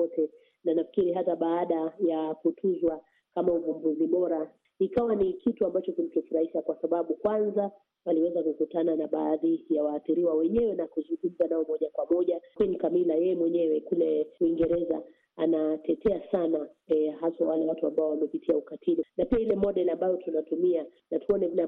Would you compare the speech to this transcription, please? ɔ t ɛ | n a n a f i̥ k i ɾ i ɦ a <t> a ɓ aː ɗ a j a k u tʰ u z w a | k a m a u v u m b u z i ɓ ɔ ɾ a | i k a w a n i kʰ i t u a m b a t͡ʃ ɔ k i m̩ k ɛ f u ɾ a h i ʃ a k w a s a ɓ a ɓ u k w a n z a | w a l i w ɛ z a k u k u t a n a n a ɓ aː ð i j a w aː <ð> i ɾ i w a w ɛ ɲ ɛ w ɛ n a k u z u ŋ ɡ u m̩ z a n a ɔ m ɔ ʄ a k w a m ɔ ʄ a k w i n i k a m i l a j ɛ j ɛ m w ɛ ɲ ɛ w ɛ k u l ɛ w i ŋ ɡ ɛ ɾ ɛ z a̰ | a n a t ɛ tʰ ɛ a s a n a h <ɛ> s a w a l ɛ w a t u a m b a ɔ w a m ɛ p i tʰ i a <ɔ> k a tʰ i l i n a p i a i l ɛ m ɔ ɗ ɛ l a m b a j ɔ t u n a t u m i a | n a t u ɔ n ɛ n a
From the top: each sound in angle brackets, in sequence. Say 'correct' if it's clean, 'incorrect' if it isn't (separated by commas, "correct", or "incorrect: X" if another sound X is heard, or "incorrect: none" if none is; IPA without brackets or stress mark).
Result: correct, incorrect: θ, incorrect: a, incorrect: u